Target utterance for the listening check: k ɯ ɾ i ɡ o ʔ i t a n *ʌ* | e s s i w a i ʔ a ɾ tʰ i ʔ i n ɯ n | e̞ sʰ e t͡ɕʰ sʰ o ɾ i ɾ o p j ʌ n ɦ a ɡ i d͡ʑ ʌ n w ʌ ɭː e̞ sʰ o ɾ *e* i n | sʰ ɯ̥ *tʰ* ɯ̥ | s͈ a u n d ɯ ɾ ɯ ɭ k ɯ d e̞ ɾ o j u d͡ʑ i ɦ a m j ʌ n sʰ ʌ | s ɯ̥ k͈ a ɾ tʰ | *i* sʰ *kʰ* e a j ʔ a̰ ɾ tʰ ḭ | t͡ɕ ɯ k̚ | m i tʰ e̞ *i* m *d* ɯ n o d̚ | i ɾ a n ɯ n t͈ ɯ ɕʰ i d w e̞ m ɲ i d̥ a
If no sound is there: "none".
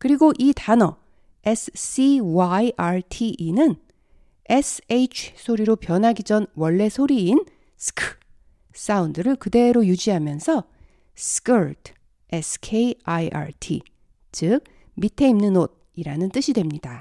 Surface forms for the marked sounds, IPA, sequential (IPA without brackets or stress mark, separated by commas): ʌ, i, kʰ, e, kʰ, i, n